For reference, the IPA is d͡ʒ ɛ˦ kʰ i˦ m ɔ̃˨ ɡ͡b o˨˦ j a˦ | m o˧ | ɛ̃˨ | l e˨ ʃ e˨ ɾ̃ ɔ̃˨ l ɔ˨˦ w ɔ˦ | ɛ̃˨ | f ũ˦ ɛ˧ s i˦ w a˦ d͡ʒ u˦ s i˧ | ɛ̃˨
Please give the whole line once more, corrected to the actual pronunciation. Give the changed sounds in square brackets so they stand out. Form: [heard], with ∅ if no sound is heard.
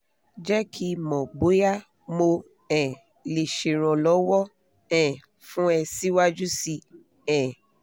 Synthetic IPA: d͡ʒ ɛ˦ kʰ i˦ m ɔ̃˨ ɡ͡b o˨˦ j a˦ | m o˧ | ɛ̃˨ | l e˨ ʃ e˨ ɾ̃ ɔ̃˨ l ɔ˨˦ w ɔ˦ | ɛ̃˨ | f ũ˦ ɛ˧ s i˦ w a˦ d͡ʒ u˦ s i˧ | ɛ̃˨